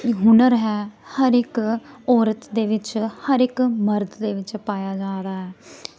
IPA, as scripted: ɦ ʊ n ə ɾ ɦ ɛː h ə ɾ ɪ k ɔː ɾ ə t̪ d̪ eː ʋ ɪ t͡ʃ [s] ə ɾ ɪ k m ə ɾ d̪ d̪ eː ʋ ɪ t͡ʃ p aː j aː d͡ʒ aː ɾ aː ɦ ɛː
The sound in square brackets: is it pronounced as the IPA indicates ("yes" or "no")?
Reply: no